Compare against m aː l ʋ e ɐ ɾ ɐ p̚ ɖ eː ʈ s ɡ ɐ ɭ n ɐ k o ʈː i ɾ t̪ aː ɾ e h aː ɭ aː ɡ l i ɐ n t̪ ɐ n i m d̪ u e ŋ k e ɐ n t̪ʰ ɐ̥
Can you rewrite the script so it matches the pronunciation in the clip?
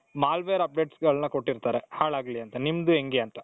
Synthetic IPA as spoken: m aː l ʋ e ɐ ɾ ɐ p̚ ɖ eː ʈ s ɡ ɐ ɭ n ɐ k o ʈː i ɾ t̪ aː ɾ e h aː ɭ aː ɡ l i ɐ n t̪ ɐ n i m d̪ u e ŋ ɡ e ɐ n t̪ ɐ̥

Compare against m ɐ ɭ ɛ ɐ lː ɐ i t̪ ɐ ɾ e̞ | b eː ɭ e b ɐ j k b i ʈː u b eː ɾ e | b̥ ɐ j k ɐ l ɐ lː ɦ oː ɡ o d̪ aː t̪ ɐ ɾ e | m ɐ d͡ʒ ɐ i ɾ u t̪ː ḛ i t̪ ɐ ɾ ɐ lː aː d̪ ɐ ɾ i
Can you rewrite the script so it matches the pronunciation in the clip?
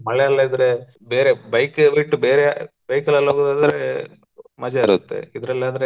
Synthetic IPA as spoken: m ɐ ɭ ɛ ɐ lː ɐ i d̪ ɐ ɾ e̞ | b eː ɾ e b ɐ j k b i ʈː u b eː ɾ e | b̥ ɐ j k ɐ l ɐ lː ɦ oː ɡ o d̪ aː d̪ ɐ ɾ e | m ɐ d͡ʒ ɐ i ɾ u t̪ː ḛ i d̪ ɐ ɾ ɐ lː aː d̪ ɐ ɾ e

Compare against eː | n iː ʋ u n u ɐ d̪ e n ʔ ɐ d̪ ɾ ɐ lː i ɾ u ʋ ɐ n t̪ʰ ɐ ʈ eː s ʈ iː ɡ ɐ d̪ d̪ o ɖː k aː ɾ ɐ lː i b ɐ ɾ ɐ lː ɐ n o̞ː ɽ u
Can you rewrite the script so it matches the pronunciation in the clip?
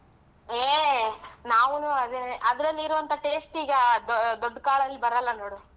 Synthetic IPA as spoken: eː | n aː ʋ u n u ɐ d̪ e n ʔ ɐ d̪ ɾ ɐ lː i ɾ u ʋ ɐ n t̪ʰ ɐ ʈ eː s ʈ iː ɡ ɐ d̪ d̪ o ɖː k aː ɭ ɐ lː i b ɐ ɾ ɐ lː ɐ n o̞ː ɽ u

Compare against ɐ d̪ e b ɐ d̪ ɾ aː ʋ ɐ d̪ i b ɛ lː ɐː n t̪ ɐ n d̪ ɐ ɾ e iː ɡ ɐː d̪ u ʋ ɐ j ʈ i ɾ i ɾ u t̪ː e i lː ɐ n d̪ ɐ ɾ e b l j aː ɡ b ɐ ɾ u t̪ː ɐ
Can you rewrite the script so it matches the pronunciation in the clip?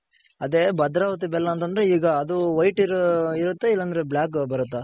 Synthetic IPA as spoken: ɐ d̪ e b ɐ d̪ ɾ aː ʋ ɐ t̪ i b ɛ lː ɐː n t̪ ɐ n d̪ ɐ ɾ e iː ɡ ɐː d̪ u ʋ ɐ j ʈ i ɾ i ɾ u t̪ː e i lː ɐ n d̪ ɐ ɾ e b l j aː k b ɐ ɾ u t̪ː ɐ

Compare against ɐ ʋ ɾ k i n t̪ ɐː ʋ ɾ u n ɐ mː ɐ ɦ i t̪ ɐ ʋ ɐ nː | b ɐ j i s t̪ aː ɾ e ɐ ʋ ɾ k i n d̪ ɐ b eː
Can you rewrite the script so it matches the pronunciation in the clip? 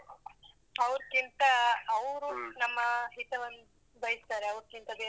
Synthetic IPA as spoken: ɐ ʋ ɾ k i n t̪ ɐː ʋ ɾ u n ɐ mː ɐ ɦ i t̪ ɐ ʋ ɐ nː | b ɐ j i s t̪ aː ɾ e ɐ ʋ ɾ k i n t̪ ɐ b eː

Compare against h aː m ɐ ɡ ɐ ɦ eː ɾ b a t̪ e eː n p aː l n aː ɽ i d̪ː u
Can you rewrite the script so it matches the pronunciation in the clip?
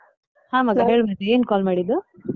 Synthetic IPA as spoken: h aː m ɐ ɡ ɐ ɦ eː ɭ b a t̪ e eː n k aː l m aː ɽ i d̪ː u

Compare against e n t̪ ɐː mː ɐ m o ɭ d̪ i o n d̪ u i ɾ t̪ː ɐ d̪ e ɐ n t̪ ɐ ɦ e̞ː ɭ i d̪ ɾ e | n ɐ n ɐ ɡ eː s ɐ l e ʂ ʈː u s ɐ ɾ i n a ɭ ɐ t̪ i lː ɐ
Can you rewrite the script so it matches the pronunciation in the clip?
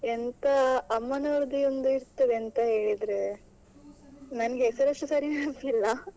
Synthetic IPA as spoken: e n t̪ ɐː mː ɐ n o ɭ d̪ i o n d̪ u i ɾ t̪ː ɐ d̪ e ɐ n t̪ ɐ ɦ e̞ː ɭ i d̪ ɾ e | n ɐ n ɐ ɡ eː s ɐ ɾ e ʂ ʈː u s ɐ ɾ i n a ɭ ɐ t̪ i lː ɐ

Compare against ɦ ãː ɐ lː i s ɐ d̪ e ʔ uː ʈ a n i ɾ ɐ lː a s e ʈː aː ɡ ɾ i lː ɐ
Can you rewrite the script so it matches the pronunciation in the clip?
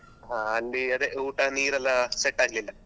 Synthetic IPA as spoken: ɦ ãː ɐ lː i ɐ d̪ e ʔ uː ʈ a n iː ɾ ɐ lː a s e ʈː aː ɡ l i lː ɐ

